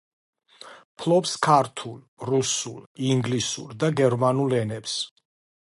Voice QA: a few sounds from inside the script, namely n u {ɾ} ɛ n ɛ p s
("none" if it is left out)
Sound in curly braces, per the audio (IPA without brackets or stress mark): l